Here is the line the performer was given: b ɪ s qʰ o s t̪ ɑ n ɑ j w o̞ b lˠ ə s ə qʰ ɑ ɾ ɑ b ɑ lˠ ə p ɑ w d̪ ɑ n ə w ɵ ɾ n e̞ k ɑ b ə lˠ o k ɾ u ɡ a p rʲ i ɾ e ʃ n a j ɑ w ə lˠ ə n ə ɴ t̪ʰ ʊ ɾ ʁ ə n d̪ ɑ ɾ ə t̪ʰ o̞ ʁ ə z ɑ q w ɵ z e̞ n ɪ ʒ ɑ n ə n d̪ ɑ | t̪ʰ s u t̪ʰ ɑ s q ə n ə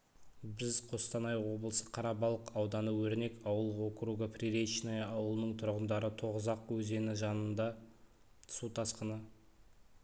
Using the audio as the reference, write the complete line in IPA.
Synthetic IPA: b ɪ z qʰ o s t̪ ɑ n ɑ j w o̞ b lˠ ə s ə qʰ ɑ ɾ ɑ b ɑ lˠ ə q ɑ w d̪ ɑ n ə w ɵ ɾ n e̞ k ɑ w ə lˠ o k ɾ u ɡ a p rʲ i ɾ e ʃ n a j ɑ w ə lˠ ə n ə ɴ t̪ʰ ʊ ɾ ʁ ə n d̪ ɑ ɾ ə t̪ʰ o̞ ʁ ə z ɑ q w ɵ z e̞ n ɪ ʒ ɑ n ə n d̪ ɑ | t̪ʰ s u t̪ʰ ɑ s q ə n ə